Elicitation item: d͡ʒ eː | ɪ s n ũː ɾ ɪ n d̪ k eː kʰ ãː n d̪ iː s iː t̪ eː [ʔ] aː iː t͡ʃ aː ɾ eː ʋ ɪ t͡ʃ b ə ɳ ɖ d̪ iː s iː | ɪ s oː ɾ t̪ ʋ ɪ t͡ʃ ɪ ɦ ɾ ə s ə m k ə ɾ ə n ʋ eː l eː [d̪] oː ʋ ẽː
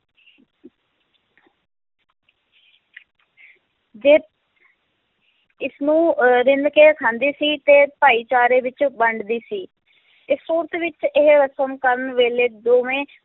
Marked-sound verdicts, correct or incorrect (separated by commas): incorrect, correct